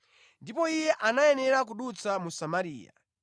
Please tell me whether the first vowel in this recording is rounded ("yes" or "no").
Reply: no